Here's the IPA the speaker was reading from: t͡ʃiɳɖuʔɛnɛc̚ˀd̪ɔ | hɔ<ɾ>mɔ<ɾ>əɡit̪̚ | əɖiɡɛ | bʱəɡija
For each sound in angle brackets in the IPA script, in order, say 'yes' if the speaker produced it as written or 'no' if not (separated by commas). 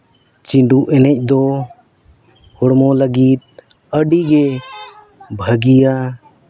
no, no